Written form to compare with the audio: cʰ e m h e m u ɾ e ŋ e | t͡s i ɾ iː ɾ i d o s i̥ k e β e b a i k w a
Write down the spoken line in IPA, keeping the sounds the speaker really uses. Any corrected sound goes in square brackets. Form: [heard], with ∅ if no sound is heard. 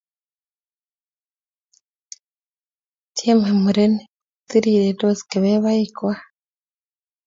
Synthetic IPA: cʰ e m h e m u ɾ e [n] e | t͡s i ɾ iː ɾ [e] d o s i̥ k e β e [β] a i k w a